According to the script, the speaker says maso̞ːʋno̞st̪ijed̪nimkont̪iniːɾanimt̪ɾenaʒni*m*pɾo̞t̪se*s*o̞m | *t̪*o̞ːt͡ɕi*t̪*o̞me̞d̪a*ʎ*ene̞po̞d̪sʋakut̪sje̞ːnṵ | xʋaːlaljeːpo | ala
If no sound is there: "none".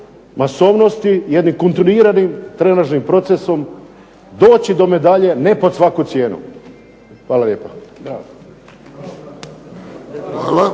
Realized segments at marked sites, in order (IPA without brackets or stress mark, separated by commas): m, s, d̪, d̪, ʎ